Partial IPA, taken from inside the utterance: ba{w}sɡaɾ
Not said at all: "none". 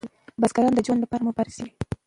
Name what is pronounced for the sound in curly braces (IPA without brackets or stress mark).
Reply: none